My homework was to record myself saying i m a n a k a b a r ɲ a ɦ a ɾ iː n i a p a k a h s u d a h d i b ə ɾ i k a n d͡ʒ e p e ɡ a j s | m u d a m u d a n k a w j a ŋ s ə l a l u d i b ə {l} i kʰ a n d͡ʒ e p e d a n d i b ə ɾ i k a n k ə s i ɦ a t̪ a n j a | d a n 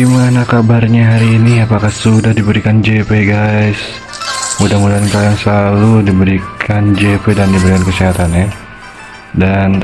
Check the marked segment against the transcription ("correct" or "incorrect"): incorrect